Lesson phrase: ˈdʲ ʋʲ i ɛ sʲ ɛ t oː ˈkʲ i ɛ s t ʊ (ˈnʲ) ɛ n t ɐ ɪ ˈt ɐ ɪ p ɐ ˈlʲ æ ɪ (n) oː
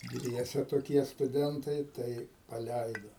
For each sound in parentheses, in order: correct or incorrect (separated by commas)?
incorrect, incorrect